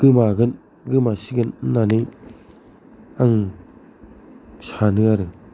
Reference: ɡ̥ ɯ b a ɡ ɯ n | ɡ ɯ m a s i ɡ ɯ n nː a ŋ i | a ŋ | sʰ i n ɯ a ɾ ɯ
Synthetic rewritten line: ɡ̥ ɯ m a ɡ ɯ n | ɡ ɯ m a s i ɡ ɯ n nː a n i | a ŋ | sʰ a n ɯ a ɾ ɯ